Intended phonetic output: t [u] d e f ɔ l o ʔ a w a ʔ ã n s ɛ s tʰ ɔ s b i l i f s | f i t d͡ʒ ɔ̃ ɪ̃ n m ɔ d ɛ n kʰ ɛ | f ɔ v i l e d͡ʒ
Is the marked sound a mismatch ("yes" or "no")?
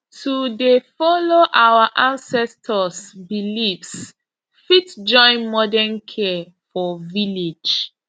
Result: no